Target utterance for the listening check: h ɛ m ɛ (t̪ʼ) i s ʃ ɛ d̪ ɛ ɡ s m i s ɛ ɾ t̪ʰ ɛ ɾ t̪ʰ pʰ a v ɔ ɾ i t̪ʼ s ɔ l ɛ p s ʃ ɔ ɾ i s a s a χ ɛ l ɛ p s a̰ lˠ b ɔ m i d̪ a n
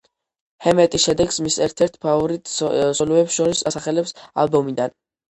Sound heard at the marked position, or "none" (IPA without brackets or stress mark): t̪ʼ